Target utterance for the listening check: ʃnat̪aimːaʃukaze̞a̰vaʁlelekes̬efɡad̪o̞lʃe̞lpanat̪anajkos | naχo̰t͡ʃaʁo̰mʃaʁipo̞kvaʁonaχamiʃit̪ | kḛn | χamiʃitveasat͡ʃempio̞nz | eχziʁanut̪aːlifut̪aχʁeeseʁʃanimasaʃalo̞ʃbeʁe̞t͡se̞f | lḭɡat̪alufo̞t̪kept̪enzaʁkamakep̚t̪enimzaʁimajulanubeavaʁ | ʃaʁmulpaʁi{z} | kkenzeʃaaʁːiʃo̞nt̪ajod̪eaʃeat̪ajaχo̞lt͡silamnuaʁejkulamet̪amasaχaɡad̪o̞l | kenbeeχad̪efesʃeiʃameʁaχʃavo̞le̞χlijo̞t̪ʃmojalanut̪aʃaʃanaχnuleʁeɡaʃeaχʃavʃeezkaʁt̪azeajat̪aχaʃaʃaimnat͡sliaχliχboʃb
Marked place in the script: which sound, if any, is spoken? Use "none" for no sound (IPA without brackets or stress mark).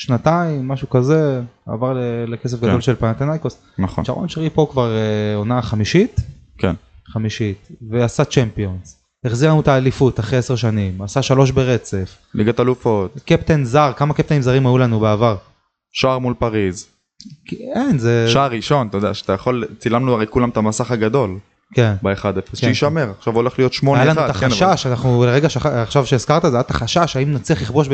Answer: z